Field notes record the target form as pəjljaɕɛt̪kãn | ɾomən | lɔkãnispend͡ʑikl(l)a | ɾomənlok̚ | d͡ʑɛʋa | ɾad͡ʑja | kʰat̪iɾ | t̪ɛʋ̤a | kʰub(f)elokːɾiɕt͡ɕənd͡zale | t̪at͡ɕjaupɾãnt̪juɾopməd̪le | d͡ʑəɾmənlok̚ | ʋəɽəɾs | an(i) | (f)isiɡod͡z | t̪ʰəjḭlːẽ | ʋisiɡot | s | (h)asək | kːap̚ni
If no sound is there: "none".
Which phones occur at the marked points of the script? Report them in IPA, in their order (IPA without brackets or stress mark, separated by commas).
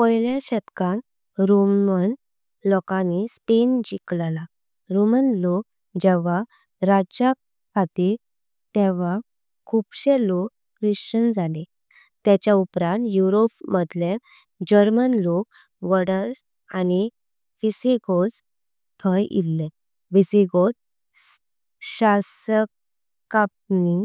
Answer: l, ɕ, i, f, ɕ